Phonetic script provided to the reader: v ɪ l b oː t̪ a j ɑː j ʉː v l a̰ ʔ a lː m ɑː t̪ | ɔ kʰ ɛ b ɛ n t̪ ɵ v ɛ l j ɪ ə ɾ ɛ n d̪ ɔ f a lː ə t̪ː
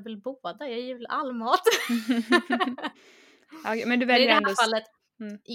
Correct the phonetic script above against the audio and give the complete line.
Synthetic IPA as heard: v ɪ l b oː d̪ a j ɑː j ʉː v l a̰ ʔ a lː m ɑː t̪ | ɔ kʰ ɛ m ɛ n d̪ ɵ v ɛ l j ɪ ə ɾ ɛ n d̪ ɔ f a lː ə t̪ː